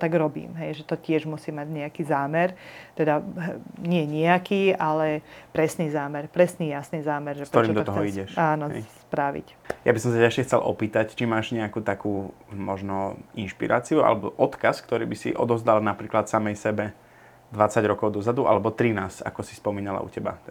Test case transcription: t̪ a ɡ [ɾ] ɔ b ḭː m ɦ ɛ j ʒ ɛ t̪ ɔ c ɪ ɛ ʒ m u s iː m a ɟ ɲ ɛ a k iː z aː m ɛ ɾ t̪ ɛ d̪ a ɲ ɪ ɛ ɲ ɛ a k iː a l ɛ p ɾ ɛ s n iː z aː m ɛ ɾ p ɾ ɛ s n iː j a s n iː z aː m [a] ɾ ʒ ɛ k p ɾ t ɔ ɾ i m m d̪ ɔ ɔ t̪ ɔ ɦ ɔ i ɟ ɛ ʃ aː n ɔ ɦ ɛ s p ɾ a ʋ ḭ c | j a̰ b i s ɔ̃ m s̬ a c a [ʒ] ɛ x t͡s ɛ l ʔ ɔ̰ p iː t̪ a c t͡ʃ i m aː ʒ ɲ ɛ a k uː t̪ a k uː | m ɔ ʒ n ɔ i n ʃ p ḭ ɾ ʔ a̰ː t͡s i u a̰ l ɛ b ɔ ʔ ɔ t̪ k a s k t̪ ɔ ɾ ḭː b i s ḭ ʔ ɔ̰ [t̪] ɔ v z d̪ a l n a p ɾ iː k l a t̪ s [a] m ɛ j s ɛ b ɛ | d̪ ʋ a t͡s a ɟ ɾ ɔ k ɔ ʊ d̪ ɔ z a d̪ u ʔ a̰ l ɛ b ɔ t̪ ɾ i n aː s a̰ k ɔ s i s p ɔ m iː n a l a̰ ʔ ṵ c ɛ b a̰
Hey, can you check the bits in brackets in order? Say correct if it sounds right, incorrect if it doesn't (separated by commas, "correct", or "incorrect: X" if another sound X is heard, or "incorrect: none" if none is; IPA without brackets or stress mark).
correct, incorrect: ɛ, incorrect: ʃ, incorrect: d̪, correct